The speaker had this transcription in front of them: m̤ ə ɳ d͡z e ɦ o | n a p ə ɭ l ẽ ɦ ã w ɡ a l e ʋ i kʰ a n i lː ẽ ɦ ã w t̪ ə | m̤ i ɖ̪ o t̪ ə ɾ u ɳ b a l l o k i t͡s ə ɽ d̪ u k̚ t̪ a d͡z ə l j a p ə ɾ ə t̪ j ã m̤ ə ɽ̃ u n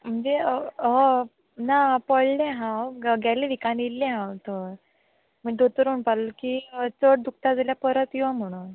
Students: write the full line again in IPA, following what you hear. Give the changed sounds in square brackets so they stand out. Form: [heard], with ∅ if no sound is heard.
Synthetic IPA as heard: m̤ ə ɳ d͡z e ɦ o | n a p ə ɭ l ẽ ɦ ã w ɡ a l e ʋ i [k] a n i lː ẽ ɦ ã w t̪ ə | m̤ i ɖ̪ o t̪ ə ɾ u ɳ [p] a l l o k i t͡s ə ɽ d̪ u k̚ t̪ a d͡z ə l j a p ə ɾ ə t̪ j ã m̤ ə ɽ̃ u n